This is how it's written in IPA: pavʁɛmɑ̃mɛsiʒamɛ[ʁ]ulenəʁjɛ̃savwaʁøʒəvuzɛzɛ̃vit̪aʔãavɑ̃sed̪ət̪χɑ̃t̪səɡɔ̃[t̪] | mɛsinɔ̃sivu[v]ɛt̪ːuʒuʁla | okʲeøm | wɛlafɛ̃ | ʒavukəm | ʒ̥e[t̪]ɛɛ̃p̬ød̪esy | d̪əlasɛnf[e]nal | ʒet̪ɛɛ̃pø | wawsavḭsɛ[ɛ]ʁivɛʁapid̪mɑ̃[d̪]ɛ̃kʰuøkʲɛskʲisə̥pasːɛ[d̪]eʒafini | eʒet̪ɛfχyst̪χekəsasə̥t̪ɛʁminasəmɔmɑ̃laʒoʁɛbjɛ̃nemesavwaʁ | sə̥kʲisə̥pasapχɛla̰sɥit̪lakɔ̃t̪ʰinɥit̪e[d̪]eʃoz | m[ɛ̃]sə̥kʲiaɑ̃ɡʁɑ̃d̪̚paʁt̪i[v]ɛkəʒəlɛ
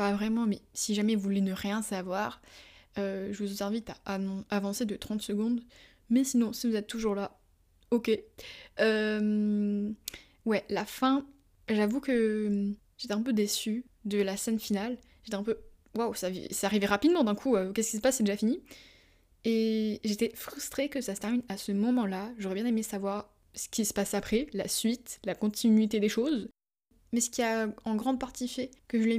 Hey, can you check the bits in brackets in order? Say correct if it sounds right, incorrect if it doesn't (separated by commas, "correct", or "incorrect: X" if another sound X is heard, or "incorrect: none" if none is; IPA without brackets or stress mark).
incorrect: v, incorrect: d̪, incorrect: z, correct, incorrect: i, incorrect: a, correct, correct, correct, incorrect: ɛ, incorrect: f